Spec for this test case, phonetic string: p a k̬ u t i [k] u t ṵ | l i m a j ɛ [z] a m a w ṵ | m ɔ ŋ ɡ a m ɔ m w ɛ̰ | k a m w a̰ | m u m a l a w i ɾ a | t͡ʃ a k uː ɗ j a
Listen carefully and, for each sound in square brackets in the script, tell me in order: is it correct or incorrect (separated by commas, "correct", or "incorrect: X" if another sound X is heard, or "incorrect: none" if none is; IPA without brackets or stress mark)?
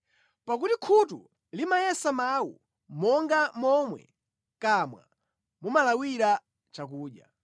incorrect: kʰ, incorrect: s